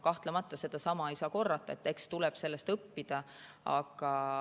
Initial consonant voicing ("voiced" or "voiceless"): voiceless